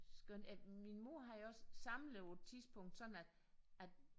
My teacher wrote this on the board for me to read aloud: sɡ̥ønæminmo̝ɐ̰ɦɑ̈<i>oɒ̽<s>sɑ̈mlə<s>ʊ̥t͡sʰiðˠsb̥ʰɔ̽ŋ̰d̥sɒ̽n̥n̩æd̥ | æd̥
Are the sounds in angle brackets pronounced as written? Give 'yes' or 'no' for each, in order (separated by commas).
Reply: no, yes, no